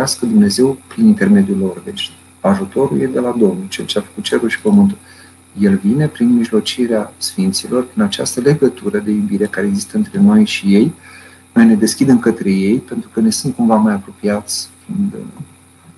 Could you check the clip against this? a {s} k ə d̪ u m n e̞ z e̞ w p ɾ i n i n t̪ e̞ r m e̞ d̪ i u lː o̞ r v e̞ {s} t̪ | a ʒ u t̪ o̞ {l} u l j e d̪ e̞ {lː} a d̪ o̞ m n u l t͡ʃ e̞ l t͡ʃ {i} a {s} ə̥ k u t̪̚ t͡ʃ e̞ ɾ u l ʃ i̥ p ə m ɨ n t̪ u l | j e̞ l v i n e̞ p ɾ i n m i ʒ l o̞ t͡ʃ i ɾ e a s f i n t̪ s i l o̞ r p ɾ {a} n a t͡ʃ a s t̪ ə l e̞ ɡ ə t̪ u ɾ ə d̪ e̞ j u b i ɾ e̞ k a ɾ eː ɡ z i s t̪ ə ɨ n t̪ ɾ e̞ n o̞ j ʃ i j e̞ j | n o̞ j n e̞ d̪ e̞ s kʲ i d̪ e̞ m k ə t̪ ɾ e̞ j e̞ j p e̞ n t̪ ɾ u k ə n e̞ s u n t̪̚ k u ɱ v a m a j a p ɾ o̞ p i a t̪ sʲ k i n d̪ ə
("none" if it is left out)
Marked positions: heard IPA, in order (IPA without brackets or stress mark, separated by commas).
s, ʃ, ɾ, l, e, f, i